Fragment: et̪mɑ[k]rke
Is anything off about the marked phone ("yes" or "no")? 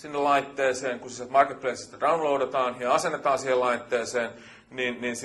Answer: yes